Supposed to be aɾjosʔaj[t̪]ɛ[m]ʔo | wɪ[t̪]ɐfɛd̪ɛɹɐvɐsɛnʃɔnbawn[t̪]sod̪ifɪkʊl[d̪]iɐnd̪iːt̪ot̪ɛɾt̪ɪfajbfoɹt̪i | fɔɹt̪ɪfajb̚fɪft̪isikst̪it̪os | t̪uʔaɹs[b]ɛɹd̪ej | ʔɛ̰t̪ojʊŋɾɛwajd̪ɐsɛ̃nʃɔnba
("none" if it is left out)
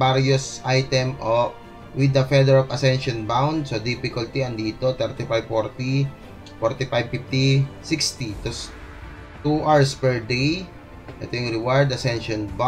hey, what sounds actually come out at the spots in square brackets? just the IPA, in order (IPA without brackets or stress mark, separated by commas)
t̪, m, d̪, d̪, t̪, p